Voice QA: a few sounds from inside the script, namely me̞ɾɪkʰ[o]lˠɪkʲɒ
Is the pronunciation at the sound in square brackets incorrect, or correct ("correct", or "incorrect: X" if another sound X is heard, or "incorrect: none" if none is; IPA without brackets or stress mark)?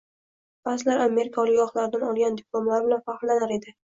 incorrect: ɒ